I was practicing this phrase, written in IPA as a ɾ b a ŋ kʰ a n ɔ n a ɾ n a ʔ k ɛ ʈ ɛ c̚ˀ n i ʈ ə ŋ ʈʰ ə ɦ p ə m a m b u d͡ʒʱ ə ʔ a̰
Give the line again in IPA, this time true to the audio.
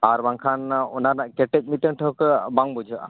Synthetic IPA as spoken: a ɾ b a ŋ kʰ a n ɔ n a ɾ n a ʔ k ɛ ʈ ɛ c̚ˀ m i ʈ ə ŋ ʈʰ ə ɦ k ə b a ŋ b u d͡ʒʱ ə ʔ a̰